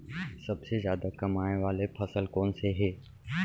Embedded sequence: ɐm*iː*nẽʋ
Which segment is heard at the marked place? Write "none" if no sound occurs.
aː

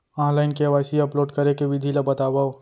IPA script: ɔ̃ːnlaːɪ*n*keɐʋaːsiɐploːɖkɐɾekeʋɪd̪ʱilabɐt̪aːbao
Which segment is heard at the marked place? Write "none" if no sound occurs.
n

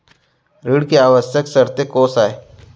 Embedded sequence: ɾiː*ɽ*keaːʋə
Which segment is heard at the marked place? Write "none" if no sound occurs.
ɽ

